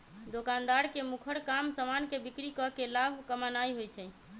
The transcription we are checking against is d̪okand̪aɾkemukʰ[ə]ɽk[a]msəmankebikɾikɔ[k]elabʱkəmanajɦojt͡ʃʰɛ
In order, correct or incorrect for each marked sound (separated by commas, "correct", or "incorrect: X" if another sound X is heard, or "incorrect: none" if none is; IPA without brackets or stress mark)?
correct, correct, correct